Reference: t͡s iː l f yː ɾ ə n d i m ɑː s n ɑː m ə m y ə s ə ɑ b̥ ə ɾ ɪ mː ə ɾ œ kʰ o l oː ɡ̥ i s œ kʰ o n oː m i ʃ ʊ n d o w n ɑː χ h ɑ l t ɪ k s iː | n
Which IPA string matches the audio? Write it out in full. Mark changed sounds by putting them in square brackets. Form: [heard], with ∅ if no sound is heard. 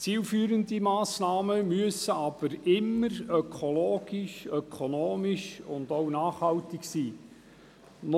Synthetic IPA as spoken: t͡s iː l f yː ɾ ə n d i m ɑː s n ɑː m ə m y ə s ə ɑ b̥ ə ɾ ɪ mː ə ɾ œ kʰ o l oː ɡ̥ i [ʃ] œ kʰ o n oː m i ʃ ʊ n d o w n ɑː χ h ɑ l t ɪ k s iː | n